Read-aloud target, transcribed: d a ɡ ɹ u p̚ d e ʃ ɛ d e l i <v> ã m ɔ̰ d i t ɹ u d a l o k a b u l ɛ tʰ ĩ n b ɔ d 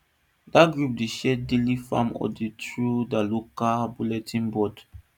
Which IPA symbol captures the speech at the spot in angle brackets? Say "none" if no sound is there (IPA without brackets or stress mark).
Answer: f